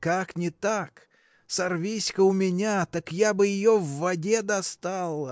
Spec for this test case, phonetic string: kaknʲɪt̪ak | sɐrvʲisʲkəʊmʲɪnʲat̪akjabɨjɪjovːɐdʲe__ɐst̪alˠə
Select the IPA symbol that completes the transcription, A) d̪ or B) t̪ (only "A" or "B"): A